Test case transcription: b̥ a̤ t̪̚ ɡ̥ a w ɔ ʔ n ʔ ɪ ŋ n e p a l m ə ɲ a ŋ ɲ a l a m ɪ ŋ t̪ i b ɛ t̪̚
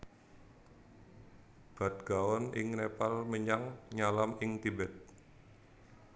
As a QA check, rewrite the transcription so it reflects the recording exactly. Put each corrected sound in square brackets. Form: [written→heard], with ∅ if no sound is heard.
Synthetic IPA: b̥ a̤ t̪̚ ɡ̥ a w ɔ [ʔ→∅] n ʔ ɪ ŋ n e p a l m ə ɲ a ŋ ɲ a l a m ɪ ŋ t̪ i b ɛ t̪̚